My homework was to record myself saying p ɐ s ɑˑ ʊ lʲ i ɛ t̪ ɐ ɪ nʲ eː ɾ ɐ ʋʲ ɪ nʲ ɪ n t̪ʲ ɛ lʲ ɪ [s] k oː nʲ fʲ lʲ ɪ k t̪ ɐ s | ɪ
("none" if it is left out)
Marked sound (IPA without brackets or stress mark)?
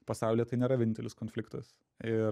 s